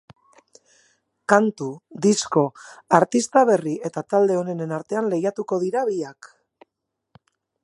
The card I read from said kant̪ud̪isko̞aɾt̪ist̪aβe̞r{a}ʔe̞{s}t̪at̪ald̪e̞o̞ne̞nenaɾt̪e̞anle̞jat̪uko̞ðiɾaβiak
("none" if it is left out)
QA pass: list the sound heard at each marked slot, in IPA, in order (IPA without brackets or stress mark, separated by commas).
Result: i, none